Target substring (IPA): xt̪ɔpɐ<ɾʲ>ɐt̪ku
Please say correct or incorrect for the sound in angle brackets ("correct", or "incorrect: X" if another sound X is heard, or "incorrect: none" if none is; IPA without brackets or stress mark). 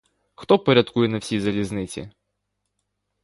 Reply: correct